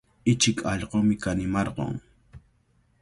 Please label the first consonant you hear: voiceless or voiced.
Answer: voiceless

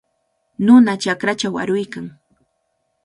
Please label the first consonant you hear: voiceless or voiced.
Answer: voiced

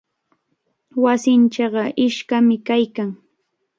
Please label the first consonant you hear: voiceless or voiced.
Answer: voiced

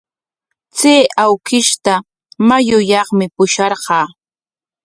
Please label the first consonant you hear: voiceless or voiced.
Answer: voiceless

